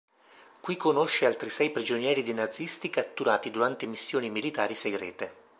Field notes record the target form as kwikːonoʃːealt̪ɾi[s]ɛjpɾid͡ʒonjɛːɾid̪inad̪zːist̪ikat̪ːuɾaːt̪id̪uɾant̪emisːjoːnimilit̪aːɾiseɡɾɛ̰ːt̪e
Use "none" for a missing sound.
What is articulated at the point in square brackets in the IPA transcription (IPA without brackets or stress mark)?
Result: s